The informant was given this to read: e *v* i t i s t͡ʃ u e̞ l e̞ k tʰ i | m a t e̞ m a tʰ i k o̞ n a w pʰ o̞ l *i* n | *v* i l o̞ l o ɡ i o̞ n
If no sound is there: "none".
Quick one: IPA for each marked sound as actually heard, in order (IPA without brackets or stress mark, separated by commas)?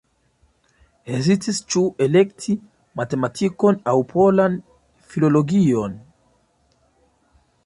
z, a, f